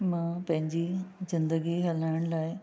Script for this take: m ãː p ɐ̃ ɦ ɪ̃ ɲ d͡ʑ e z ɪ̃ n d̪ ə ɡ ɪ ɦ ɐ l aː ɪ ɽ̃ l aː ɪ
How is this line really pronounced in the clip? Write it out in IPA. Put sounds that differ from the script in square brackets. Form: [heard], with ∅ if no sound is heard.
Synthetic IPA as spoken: m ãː p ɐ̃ ɦ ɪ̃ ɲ d͡ʑ [i] z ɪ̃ n d̪ ə ɡ [i] ɦ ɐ l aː ɪ ɽ̃ l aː ɪ